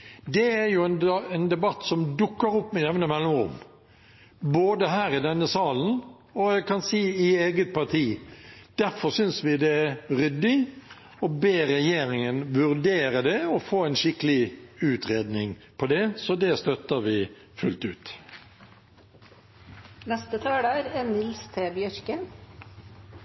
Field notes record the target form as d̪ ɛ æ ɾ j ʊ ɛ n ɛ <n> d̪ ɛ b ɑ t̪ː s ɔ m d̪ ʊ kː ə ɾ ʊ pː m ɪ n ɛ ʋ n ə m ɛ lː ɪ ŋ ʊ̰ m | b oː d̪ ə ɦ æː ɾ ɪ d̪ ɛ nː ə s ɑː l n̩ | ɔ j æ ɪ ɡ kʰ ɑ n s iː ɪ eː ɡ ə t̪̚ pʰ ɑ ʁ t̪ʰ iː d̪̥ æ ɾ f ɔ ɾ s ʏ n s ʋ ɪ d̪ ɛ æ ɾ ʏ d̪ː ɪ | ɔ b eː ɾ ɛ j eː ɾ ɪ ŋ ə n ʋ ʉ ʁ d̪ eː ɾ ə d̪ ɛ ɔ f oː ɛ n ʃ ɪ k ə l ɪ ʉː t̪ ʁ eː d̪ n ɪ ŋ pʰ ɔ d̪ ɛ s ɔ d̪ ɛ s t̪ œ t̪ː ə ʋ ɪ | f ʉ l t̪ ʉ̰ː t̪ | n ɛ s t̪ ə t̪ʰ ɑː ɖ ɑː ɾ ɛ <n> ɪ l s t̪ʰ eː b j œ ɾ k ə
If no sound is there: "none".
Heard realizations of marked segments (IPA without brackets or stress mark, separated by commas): n, n